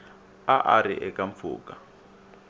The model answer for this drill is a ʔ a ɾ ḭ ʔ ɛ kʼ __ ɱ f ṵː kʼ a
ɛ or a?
a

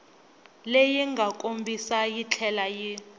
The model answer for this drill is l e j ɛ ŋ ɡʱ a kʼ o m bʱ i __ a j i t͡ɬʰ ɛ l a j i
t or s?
s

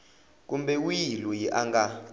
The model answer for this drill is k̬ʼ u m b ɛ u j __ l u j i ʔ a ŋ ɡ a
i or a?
i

